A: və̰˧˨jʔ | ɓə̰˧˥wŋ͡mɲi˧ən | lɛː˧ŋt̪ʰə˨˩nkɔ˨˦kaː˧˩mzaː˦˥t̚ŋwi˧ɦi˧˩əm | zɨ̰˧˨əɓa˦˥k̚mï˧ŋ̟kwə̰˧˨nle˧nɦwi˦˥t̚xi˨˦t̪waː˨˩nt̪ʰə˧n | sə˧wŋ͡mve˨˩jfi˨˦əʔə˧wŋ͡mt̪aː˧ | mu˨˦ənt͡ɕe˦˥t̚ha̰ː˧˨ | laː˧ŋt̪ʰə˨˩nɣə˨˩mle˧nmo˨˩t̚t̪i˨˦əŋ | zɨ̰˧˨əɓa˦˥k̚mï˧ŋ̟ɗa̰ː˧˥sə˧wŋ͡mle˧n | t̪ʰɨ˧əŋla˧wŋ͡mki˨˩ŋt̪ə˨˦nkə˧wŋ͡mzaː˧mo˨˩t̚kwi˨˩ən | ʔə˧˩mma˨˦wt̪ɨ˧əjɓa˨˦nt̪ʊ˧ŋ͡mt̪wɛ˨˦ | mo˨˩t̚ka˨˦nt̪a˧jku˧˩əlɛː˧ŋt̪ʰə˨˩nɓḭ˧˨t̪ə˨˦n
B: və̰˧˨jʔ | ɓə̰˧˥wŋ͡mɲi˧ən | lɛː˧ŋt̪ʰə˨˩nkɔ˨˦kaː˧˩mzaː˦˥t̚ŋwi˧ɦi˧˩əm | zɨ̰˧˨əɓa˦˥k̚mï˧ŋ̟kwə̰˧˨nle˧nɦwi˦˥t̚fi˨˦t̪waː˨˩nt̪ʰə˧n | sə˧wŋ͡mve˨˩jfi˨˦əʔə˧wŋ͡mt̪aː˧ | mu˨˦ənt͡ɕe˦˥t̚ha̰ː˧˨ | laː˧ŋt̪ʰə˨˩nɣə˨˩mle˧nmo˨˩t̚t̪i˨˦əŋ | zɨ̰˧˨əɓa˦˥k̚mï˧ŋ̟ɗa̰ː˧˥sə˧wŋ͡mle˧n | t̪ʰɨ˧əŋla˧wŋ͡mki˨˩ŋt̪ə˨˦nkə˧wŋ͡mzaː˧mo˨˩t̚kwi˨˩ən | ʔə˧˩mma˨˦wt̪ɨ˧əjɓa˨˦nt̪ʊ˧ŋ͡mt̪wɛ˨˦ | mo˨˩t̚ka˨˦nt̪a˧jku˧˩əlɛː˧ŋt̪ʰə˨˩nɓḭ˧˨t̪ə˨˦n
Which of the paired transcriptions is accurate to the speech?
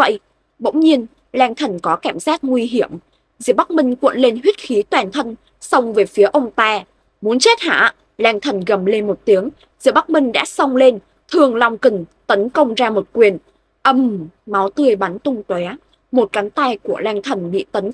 A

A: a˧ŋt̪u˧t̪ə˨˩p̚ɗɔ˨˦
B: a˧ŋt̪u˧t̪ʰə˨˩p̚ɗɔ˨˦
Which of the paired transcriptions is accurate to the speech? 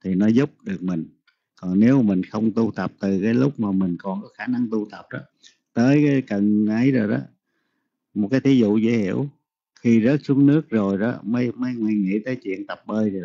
A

